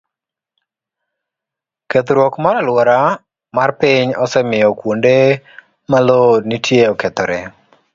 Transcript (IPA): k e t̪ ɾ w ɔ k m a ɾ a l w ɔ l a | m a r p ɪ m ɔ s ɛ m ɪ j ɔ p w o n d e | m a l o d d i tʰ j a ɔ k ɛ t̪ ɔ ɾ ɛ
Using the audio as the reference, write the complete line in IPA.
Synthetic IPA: k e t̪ ɾ w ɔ k m a ɾ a l w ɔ ɾ a | m a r p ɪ ɲ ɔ s ɛ m ɪ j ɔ k w o n d e | m a l o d n i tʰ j e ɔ k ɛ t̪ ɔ ɾ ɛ

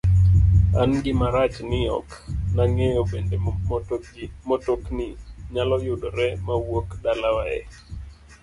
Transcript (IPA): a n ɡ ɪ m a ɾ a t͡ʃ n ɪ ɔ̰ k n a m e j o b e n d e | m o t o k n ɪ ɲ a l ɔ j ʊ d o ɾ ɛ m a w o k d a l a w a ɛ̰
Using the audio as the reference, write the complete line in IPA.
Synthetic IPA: a n ɡ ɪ m a ɾ a t͡ʃ n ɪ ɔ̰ k n a ŋ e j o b e n d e | m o t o k n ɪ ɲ a l ɔ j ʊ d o ɾ ɛ m a w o k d a l a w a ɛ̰

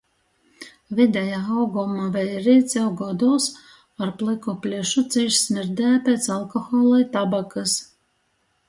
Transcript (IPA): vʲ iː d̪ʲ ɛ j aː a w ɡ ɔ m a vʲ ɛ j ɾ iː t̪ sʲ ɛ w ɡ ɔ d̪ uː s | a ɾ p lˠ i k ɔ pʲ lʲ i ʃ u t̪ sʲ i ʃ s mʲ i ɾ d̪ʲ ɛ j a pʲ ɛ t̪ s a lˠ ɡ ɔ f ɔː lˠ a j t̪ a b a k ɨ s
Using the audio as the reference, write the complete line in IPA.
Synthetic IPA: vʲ i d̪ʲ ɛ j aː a w ɡ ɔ m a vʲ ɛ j ɾ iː t̪ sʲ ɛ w ɡ ɔ d̪ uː s | a ɾ p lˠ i k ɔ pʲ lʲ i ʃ u t̪ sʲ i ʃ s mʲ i ɾ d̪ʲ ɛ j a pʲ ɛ t̪ s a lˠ k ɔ x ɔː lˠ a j t̪ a b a k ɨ s

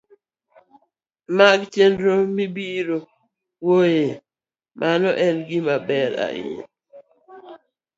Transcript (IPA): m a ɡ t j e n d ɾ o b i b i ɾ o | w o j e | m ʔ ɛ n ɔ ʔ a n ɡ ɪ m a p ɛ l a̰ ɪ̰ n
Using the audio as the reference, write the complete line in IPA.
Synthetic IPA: m a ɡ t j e n d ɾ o m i b i ɾ o | w o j e | m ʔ a n ɔ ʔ ɛ n ɡ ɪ m a b ɛ ɾ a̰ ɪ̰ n

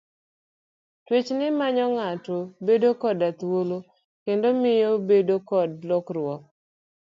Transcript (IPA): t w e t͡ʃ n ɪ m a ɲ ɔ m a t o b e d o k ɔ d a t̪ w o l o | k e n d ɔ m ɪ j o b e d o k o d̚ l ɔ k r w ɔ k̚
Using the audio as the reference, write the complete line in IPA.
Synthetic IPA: t w e t͡ʃ n ɪ m a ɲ ɔ ŋ a t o b e d o k ɔ d a t̪ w o l o | k e n d o m ɪ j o b e d o k ɔ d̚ l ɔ k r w ɔ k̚

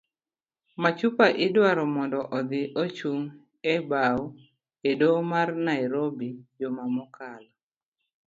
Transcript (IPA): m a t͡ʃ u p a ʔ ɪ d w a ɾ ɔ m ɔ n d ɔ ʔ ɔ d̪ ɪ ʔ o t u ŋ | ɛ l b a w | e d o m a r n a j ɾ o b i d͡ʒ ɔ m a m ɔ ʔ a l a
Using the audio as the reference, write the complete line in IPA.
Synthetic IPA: m a t͡ʃ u p a ʔ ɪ d w a ɾ ɔ m ɔ n d ɔ ʔ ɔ d̪ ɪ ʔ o t͡ʃ u ŋ | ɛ b a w | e d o m a r n a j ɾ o b i d͡ʒ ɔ m a m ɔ k a l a

